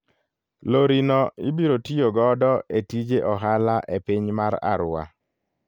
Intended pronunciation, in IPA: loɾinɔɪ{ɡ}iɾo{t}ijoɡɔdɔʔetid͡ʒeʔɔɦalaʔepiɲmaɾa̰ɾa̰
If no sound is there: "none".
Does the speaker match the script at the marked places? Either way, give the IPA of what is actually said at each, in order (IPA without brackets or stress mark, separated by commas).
b, t